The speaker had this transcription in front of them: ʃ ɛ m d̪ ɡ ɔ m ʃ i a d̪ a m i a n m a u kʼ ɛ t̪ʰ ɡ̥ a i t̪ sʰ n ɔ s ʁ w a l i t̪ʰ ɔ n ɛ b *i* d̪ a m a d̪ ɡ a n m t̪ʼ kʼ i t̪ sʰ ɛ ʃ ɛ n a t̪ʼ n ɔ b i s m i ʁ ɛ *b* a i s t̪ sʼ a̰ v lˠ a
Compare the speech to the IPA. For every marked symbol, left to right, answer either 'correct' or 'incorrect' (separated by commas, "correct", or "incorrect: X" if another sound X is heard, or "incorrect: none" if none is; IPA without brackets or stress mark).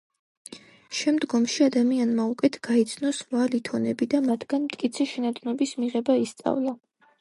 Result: correct, correct